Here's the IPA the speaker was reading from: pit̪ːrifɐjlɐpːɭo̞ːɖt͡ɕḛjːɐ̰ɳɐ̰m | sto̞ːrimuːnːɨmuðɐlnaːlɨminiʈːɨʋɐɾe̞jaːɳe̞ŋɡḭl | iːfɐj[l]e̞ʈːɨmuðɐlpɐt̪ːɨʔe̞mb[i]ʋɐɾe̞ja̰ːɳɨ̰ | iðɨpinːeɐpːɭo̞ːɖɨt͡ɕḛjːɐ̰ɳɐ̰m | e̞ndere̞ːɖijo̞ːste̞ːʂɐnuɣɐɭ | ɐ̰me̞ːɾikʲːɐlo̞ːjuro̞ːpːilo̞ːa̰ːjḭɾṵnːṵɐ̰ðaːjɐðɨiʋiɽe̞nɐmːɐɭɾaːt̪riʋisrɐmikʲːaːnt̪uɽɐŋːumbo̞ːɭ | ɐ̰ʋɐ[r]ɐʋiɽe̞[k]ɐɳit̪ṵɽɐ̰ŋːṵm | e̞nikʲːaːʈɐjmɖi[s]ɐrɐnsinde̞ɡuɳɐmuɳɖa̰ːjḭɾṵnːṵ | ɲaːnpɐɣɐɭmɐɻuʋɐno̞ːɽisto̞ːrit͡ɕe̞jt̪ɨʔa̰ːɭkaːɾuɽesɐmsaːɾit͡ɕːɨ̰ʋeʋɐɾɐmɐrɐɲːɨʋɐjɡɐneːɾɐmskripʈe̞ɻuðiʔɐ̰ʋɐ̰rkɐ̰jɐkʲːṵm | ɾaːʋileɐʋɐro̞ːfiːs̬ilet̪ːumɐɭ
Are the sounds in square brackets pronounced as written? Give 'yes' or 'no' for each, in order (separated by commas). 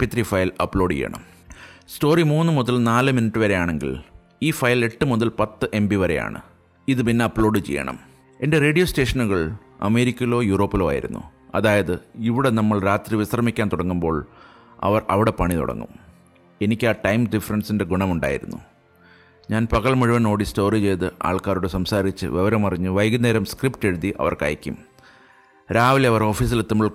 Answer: yes, yes, yes, no, no